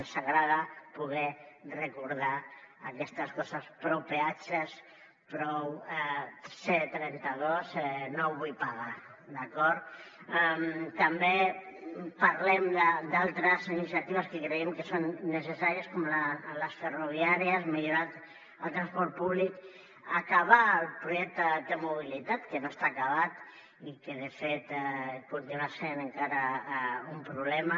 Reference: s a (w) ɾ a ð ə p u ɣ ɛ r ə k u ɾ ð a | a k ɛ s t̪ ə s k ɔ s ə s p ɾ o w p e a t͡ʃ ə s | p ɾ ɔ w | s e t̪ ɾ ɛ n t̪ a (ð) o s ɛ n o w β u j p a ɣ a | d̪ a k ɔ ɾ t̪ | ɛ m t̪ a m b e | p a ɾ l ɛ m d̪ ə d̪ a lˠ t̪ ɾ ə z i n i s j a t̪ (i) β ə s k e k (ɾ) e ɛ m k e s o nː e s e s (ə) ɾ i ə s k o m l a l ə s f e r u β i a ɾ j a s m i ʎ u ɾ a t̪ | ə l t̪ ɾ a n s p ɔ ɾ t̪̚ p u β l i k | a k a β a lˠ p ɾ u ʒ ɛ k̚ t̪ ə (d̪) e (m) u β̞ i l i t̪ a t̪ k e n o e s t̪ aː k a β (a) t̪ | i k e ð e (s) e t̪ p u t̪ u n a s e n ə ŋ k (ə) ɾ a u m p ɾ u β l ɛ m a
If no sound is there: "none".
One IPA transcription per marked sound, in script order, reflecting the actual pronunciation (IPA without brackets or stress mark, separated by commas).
ɣ, ð, i, ɾ, a, d̪, m, a, f, a